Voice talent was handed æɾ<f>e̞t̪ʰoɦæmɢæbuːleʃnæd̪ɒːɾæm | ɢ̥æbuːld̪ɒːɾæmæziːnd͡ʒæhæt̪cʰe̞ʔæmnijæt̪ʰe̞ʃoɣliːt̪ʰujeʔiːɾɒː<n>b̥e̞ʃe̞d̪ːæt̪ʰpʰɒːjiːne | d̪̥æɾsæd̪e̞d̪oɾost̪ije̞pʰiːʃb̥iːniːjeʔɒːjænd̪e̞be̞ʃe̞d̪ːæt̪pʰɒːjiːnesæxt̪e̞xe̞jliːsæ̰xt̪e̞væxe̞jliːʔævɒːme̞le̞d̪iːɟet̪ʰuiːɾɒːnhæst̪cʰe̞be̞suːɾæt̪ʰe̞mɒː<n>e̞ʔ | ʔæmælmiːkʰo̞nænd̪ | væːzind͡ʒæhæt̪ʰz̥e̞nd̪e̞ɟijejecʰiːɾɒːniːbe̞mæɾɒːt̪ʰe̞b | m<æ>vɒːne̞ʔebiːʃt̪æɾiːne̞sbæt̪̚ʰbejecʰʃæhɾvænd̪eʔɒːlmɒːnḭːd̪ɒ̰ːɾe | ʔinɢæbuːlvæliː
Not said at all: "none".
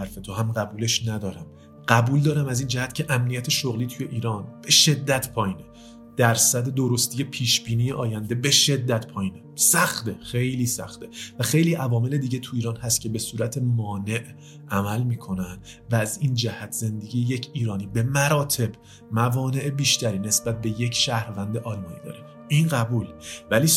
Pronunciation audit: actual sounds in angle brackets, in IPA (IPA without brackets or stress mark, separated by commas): f, n, n, æ